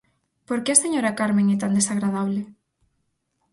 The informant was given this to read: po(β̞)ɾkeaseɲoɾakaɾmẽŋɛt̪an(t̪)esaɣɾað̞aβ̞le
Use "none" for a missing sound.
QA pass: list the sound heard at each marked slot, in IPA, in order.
none, d̪

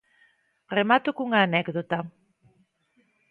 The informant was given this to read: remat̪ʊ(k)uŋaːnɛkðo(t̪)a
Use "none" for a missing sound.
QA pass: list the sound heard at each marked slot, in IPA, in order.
k, t̪

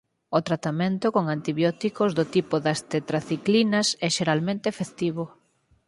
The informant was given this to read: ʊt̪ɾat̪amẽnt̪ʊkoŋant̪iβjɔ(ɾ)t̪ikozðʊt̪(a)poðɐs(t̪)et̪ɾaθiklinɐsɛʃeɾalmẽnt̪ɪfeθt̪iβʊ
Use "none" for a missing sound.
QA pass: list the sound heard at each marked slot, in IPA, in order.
none, i, t̪

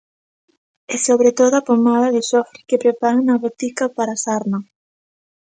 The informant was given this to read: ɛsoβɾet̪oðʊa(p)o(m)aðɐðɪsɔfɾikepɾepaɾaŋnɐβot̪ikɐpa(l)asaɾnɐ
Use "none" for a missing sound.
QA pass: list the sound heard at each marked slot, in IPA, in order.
p, m, ɾ

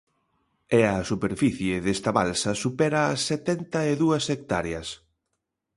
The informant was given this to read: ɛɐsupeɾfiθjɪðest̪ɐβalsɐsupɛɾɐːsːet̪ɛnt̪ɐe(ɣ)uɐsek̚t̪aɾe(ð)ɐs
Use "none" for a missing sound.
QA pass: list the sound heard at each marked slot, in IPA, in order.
ð, none

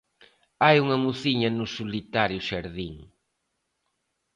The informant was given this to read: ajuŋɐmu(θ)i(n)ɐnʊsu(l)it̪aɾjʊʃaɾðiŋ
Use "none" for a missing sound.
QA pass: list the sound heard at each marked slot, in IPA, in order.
θ, ɲ, l

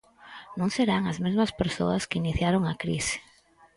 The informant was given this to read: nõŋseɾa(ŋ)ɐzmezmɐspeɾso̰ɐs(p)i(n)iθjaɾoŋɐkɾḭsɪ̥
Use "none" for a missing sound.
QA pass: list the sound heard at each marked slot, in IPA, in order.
ŋ, k, n

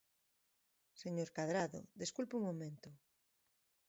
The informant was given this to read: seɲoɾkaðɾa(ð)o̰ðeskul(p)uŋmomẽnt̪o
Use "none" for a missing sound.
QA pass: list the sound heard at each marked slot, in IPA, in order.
ð, p

